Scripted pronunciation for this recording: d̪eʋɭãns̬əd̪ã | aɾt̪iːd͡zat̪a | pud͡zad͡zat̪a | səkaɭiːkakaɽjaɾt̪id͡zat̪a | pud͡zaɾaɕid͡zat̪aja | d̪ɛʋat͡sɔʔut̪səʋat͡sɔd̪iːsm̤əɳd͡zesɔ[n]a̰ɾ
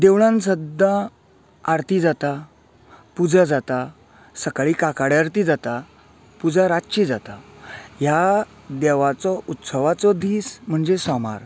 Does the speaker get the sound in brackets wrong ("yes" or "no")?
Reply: yes